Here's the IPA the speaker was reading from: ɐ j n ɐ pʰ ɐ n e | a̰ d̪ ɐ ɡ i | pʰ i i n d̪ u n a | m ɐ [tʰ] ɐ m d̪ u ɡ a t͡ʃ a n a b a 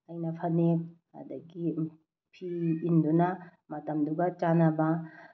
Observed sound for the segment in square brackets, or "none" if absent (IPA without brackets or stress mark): t